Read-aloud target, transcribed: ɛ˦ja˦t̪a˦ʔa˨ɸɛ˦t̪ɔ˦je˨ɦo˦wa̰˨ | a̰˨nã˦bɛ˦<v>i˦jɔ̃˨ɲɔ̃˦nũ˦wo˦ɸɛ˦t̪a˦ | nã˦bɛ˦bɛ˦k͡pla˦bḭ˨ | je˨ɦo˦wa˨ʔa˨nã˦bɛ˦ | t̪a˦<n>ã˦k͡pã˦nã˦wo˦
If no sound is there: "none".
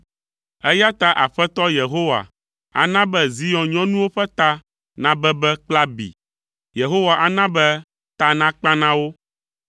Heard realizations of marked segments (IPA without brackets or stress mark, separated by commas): z, n